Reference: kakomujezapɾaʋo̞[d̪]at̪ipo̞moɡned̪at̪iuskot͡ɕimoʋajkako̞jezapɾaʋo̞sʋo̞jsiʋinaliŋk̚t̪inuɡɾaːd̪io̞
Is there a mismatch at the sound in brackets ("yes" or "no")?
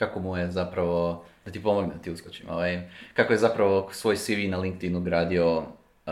no